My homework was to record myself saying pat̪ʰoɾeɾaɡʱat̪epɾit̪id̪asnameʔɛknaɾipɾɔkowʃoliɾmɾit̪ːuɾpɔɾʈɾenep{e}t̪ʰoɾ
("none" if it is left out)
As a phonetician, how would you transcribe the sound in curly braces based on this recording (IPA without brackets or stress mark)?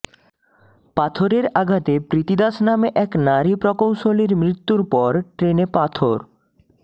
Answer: a